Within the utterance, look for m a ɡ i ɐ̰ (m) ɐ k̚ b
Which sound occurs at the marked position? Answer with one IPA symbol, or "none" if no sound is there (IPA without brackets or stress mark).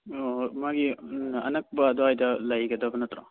n